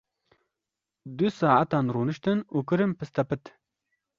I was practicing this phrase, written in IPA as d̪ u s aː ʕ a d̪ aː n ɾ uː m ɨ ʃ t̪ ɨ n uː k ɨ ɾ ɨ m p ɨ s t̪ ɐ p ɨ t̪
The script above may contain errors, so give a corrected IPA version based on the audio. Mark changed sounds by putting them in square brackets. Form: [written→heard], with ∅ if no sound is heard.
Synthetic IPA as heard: d̪ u s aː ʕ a [d̪→t̪] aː n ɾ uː [m→n] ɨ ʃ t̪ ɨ n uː k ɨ ɾ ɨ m p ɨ s t̪ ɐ p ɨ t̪